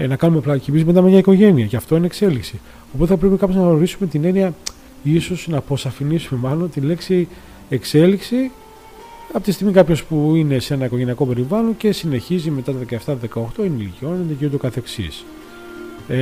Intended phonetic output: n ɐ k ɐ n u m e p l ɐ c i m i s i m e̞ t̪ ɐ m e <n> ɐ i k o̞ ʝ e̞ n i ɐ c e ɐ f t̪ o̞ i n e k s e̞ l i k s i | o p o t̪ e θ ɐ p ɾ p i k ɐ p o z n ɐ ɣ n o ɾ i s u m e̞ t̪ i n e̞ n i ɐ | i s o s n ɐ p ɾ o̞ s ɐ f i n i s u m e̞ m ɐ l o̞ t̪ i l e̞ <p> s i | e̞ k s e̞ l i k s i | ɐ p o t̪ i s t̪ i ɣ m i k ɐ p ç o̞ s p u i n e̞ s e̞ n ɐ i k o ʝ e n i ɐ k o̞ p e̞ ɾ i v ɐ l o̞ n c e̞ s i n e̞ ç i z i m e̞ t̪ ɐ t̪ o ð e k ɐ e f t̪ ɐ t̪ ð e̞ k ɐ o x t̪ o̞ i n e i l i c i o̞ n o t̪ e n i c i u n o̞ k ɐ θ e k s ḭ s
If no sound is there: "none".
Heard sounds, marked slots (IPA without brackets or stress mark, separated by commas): ɲ, k